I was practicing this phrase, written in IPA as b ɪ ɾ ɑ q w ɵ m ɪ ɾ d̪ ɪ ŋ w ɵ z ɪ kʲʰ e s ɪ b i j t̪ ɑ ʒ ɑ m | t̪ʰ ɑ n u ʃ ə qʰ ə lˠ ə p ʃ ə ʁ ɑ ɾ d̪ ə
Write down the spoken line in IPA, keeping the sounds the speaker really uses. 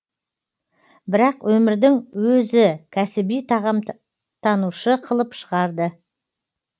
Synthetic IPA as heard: b ɪ ɾ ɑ q w ɵ m ɪ ɾ d̪ ɪ ŋ w ɵ z ɪ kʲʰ æ s ɪ b i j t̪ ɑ ʁ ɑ m | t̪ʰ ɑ n u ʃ ə qʰ ə lˠ ə p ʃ ə ʁ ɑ ɾ d̪ ə